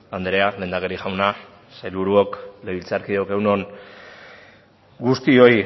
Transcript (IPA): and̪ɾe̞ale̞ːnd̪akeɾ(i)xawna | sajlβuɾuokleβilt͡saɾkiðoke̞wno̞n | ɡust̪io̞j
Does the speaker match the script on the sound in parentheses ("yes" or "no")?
yes